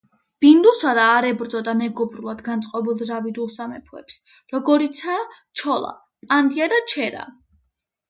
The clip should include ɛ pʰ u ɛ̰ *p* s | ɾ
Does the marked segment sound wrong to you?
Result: no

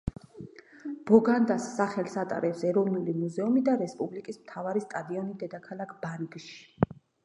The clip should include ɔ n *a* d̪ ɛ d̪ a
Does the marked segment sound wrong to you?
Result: yes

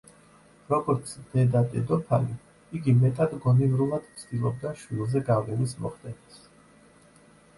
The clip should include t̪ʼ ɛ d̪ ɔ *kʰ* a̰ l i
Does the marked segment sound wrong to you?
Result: yes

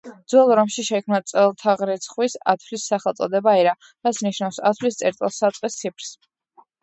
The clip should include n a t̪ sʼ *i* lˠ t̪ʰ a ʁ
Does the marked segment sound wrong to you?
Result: yes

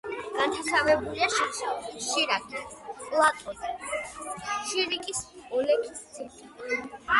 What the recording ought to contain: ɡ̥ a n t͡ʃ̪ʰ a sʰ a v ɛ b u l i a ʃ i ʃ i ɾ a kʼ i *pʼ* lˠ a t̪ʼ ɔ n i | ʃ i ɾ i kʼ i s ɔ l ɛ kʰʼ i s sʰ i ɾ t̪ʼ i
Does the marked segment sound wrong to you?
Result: no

